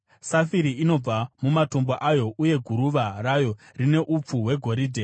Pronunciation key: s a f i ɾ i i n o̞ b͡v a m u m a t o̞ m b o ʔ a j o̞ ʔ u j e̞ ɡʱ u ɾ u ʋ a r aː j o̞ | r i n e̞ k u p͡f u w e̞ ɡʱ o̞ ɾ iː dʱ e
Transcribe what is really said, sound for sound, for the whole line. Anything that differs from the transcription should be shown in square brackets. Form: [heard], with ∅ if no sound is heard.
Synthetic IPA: s a f i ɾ i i n o̞ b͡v a m u m a t o̞ m b o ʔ a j o̞ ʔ u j e̞ ɡʱ u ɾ u ʋ a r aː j o̞ | r i n e̞ [ʔ] u p͡f u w e̞ ɡʱ o̞ ɾ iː dʱ e